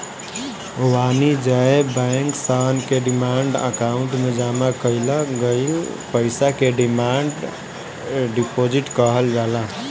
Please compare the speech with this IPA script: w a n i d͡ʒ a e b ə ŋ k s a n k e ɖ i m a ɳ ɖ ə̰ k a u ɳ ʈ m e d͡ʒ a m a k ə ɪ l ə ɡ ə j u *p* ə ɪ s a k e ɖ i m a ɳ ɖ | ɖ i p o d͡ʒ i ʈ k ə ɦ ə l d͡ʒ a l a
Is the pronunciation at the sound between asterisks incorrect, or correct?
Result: correct